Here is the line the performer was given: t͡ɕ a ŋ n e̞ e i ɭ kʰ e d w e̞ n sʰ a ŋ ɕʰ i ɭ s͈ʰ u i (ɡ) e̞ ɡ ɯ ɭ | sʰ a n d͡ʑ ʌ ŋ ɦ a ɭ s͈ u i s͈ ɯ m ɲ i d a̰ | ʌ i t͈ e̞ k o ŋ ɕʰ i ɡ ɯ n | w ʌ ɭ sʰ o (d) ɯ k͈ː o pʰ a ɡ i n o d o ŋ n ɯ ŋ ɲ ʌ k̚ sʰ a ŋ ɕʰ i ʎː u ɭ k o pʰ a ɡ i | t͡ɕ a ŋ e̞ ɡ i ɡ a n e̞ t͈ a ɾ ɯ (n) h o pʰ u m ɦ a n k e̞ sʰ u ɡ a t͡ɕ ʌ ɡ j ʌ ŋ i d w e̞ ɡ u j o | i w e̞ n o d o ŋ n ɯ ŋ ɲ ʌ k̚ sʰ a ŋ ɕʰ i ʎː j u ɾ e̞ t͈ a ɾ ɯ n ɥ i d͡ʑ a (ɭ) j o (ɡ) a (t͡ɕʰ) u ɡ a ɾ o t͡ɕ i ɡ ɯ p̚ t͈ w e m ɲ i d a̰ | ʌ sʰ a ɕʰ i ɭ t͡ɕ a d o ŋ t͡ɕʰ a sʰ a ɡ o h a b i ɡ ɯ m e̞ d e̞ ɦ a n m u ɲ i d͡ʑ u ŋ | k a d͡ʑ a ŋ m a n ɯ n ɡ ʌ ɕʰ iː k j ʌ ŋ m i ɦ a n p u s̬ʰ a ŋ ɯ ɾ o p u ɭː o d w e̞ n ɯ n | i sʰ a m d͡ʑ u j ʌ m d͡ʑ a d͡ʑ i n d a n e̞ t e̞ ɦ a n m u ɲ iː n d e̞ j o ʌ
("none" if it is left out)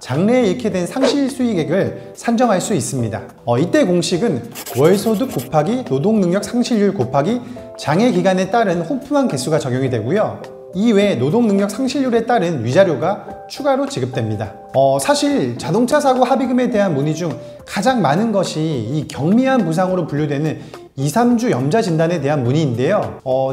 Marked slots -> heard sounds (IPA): ɡ, d, n, ɾ, ɡ, t͡ɕʰ

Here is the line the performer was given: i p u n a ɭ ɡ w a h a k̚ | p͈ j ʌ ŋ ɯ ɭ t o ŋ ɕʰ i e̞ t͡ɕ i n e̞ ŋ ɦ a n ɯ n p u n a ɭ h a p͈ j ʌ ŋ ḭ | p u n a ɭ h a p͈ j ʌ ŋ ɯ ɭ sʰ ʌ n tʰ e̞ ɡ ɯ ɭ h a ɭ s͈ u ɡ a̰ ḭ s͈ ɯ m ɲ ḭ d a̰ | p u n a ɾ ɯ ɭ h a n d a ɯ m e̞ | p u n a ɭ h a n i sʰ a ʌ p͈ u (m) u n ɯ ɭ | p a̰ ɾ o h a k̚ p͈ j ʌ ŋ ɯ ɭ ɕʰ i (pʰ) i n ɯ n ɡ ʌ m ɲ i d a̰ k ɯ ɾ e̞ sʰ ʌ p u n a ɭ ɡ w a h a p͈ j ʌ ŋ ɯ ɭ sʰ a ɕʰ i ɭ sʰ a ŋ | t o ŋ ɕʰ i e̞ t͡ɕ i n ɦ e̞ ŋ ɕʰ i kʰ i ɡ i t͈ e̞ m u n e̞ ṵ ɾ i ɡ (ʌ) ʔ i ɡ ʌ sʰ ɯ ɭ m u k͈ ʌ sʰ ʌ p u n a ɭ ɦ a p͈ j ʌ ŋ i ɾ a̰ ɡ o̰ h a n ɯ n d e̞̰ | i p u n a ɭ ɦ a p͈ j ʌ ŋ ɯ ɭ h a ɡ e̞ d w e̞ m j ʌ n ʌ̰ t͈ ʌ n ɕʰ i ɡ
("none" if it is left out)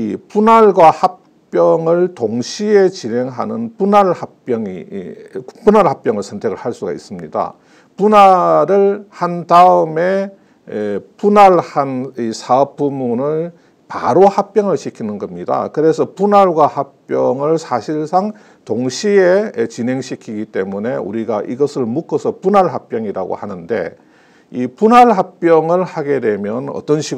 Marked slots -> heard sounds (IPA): m, kʰ, a

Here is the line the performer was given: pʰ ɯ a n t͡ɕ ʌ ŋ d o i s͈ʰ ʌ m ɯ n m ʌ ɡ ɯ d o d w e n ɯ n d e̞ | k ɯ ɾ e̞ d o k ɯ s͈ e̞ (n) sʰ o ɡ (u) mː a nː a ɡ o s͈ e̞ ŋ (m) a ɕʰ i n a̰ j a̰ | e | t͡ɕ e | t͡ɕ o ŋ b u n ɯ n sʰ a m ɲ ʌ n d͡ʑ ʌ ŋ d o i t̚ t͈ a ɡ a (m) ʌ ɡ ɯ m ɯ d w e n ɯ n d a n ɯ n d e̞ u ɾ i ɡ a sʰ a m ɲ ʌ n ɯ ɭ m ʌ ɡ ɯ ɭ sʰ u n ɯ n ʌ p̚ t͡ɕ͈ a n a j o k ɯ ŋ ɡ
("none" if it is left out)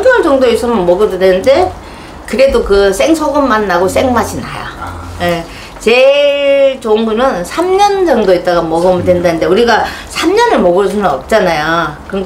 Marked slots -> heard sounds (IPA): ŋ, ɯ, m, m

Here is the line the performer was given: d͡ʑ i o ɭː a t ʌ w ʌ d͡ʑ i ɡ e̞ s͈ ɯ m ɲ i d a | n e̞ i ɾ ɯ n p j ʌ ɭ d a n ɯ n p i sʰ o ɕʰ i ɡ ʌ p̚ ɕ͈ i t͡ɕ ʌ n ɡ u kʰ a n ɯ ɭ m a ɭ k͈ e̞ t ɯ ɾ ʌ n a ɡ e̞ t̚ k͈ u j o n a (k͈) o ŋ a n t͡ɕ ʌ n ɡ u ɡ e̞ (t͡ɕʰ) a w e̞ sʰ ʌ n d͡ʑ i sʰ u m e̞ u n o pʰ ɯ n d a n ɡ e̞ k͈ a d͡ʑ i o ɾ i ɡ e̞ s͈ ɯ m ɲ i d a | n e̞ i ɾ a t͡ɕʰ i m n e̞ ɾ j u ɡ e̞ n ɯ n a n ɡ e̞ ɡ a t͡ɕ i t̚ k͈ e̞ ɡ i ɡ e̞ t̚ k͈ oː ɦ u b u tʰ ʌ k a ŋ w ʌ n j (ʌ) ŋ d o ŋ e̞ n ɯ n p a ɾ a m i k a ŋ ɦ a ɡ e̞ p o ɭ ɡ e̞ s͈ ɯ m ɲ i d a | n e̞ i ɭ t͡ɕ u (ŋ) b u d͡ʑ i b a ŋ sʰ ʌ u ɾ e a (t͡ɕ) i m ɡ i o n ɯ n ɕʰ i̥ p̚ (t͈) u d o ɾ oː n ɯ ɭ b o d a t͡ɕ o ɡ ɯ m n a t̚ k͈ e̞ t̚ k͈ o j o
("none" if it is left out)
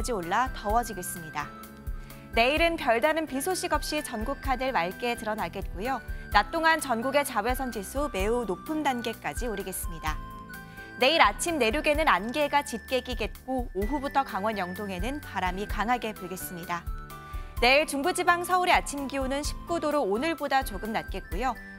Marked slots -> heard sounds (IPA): t͈, t͡ɕ, ʌ, ŋ, t͡ɕʰ, k͈

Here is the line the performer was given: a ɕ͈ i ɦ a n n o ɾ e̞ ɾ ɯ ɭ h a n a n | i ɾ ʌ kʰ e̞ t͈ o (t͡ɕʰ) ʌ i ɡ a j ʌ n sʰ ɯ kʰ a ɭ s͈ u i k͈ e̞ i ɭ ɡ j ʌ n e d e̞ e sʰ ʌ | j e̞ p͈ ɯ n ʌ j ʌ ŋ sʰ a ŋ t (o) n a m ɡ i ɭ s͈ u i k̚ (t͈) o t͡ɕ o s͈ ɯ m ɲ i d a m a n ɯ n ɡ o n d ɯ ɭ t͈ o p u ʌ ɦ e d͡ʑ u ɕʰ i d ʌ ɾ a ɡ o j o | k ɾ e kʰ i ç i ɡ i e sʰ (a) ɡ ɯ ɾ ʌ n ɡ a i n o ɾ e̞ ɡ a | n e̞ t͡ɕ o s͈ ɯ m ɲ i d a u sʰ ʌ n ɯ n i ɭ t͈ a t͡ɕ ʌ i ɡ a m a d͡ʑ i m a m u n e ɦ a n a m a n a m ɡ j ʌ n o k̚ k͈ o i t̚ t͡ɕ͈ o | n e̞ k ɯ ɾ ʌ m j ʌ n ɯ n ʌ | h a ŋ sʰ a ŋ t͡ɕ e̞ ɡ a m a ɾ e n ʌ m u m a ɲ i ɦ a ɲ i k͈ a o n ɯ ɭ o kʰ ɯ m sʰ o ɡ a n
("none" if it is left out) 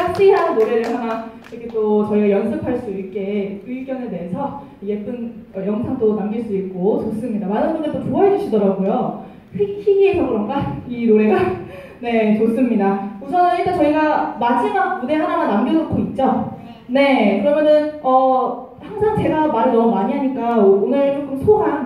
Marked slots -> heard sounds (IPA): t͡ɕ, o, k͈, ʌ

